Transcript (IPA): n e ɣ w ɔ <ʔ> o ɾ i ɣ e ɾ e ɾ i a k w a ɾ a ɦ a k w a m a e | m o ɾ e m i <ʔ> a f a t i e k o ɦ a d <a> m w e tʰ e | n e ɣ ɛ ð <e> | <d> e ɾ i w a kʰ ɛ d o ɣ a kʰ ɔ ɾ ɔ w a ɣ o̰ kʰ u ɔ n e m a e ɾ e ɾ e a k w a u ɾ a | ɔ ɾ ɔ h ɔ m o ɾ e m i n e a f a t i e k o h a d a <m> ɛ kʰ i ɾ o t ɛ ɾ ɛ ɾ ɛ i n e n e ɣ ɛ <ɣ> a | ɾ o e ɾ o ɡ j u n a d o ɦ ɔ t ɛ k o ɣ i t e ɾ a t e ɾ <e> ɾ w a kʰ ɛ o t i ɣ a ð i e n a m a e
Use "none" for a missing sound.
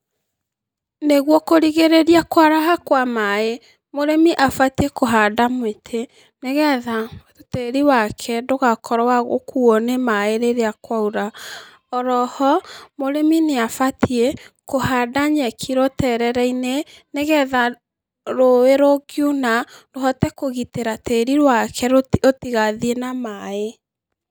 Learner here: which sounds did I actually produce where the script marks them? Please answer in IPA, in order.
k, ʔ, a, a, t, ɲ, ð, i

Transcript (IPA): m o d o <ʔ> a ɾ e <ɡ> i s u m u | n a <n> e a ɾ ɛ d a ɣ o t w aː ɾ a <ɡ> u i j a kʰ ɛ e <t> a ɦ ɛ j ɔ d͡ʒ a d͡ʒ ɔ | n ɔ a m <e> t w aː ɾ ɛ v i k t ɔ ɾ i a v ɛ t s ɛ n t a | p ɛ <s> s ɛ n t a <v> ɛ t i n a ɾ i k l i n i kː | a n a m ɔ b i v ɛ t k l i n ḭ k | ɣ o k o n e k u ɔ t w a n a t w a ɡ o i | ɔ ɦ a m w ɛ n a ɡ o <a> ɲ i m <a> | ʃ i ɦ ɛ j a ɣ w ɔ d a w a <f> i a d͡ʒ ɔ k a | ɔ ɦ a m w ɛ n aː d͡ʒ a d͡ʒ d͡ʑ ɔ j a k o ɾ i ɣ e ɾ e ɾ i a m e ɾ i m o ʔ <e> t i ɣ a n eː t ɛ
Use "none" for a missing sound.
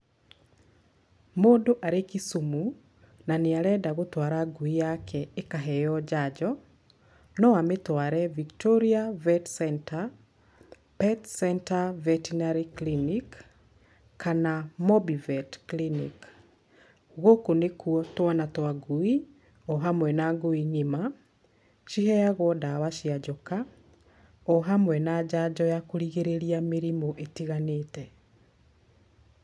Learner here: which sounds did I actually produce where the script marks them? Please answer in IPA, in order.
ʔ, k, n, ɡ, k, e, t, v, i, a, ʃ, e

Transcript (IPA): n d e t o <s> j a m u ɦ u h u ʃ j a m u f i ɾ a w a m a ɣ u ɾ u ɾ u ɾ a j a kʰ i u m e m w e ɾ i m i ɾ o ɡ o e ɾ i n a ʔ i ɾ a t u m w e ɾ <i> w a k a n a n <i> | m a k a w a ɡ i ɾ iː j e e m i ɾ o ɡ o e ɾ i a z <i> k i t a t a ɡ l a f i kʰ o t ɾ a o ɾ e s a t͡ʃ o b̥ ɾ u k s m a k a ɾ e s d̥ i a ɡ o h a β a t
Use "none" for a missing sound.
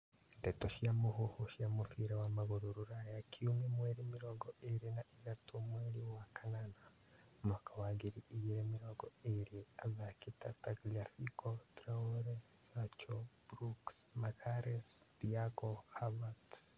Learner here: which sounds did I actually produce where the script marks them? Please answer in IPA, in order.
ʃ, i, a, a

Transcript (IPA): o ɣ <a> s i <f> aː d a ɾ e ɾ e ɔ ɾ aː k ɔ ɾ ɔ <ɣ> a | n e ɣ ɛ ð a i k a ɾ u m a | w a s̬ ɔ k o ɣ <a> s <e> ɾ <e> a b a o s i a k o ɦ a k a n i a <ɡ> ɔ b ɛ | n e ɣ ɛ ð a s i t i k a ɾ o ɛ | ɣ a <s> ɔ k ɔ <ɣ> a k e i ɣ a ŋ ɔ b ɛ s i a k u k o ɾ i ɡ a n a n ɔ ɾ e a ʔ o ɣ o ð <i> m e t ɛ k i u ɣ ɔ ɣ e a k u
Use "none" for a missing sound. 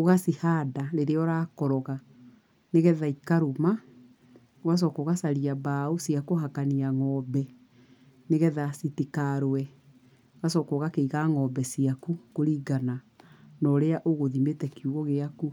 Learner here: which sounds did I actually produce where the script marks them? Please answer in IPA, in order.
a, h, ɣ, a, a, i, ŋ, s, ɣ, i

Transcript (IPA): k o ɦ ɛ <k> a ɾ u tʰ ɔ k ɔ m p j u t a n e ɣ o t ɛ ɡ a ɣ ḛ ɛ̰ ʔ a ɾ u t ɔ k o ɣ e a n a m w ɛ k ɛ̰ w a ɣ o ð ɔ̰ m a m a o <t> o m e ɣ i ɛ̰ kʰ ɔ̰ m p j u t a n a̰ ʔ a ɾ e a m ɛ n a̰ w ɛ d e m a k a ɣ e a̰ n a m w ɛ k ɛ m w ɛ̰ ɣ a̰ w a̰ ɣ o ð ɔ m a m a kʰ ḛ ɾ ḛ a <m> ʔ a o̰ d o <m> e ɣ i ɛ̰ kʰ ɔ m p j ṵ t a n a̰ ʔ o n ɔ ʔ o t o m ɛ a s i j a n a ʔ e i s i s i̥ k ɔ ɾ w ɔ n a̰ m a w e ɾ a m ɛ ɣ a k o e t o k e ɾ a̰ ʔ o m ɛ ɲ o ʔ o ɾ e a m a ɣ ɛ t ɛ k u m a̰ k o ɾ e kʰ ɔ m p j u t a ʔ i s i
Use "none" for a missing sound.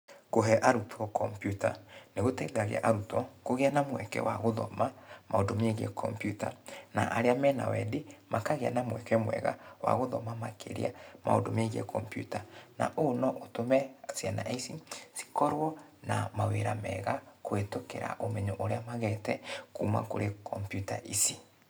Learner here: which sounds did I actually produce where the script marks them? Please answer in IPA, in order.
ʔ, d, m, m

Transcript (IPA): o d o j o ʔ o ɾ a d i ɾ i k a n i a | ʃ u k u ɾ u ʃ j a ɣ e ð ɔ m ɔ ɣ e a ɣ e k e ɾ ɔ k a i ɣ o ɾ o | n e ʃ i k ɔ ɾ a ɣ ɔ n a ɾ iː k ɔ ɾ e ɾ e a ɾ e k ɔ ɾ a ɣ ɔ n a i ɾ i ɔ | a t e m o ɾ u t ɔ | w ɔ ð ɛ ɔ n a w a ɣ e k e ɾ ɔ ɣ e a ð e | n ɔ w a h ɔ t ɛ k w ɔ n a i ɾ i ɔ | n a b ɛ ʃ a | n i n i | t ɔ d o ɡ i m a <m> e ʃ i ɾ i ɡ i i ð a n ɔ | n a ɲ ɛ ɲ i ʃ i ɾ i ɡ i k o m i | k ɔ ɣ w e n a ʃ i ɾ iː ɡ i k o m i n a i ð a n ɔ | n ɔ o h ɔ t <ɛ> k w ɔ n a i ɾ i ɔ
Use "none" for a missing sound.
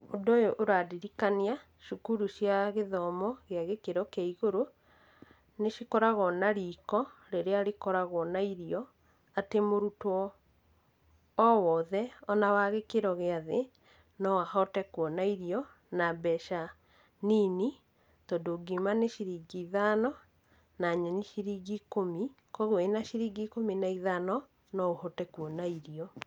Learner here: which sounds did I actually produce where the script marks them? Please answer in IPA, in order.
n, ɛ

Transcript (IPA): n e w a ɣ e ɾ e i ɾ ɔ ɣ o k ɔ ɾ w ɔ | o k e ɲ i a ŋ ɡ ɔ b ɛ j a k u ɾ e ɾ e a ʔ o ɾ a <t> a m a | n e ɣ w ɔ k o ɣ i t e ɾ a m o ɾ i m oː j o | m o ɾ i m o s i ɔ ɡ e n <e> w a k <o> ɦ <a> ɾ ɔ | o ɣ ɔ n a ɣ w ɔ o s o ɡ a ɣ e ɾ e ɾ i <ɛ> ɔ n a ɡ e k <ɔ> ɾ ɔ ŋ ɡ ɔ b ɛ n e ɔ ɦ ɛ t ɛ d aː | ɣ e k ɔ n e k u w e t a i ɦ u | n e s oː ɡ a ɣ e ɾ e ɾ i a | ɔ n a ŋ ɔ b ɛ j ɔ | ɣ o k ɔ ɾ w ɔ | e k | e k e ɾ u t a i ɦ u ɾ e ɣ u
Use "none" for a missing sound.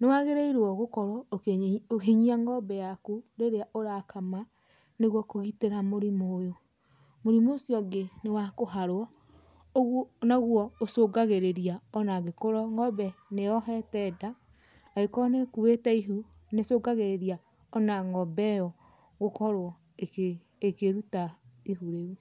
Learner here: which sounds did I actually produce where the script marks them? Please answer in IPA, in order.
k, e, o, a, a, o

